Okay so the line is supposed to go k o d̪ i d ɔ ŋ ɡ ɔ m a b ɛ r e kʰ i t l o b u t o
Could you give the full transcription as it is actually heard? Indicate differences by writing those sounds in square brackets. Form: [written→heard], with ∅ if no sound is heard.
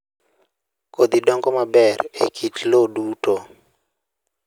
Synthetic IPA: k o d̪ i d ɔ ŋ ɡ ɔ m a b ɛ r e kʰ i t l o [b→d] u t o